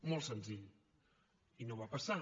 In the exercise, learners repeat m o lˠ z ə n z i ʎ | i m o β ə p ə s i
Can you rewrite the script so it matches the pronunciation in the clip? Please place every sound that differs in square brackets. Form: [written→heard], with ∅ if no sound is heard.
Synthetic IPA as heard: m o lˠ [z→s] ə n z i ʎ | i [m→n] o β [ə→a] p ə s [i→a]